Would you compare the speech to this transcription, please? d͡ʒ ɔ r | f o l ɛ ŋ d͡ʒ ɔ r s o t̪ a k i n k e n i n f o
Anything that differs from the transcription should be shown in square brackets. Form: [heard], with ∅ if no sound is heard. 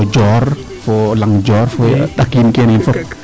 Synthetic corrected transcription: d͡ʒ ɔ r | f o l [a] ŋ d͡ʒ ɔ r [f] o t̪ a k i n k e n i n f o